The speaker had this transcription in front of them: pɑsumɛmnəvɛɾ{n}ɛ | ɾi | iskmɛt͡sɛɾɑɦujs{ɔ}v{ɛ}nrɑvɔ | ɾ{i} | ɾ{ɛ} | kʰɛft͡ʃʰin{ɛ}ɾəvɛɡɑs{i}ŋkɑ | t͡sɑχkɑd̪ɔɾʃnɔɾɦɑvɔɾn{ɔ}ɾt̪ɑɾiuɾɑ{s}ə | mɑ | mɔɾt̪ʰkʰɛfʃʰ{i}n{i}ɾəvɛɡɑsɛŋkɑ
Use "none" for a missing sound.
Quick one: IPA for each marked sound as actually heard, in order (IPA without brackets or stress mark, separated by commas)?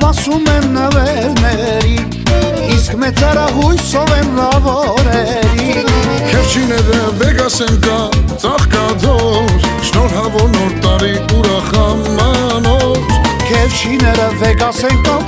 n, ɔ, ɛ, ɛ, i, ɛ, ɛ, ɔ, χ, i, ɛ